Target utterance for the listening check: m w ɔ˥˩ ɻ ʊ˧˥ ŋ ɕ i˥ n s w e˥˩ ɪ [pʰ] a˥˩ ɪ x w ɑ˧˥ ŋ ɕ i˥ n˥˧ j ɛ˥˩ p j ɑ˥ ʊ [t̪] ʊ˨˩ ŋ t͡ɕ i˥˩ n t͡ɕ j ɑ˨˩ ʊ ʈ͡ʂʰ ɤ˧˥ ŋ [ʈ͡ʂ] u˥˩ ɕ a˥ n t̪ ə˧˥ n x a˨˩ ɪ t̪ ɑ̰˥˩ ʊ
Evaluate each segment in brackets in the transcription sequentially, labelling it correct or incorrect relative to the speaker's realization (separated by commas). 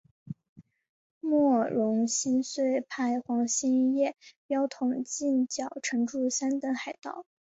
correct, incorrect, correct